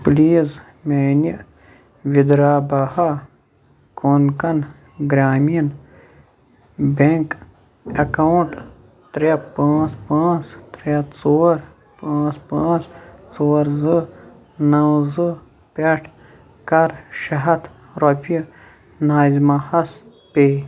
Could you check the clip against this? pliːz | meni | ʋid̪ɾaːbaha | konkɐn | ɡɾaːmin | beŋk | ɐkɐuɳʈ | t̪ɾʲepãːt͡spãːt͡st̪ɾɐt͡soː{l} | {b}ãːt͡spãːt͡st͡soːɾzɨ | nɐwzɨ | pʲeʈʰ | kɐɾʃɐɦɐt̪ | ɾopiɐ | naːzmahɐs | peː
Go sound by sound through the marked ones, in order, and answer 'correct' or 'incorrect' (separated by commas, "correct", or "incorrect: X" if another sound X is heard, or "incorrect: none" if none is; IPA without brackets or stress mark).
incorrect: ɾ, incorrect: p